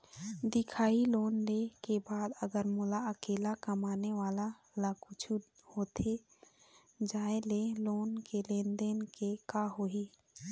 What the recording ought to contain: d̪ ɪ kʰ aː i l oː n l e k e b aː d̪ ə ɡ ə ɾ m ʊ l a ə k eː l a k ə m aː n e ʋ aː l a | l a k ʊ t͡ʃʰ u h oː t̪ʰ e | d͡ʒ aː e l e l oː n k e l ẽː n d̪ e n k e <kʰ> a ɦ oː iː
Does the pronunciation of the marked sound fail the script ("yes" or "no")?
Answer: yes